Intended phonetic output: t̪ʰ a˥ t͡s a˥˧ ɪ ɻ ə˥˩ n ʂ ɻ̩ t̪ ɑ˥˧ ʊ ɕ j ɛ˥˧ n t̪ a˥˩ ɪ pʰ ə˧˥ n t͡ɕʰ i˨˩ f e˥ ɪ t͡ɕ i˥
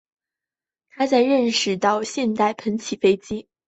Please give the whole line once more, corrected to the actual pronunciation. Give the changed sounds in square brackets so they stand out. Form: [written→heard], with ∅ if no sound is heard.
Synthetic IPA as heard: t̪ʰ a˥ t͡s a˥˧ ɪ ɻ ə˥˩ n ʂ ɻ̩ t̪ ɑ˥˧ ʊ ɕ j ɛ˥˧ n t̪ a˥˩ ɪ pʰ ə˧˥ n t͡ɕʰ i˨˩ f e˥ ɪ t͡ɕ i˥